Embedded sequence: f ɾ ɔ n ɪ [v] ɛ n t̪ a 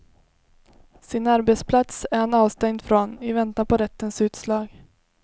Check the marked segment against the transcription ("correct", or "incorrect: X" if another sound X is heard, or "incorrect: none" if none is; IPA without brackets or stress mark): correct